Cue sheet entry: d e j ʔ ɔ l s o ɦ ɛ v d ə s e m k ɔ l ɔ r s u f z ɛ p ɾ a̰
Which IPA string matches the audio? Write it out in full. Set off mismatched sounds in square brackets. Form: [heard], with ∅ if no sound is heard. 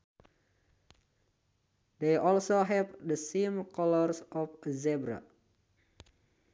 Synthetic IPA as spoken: d e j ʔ ɔ l s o ɦ ɛ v d ə s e m k ɔ l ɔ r s [ɔ] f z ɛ [b] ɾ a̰